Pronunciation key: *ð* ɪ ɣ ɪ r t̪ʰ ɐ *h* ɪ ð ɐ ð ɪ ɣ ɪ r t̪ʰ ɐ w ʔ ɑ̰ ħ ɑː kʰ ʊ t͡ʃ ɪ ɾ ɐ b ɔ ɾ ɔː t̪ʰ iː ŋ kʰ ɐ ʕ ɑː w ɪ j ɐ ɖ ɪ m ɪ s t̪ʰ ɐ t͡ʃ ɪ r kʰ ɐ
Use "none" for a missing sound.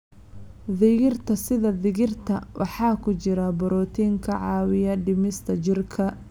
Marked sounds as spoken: ð, s

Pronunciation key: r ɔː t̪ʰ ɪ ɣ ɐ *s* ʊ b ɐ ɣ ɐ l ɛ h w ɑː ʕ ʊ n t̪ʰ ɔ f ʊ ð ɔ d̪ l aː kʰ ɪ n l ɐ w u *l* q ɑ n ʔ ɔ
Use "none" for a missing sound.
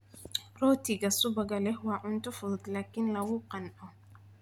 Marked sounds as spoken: s, none

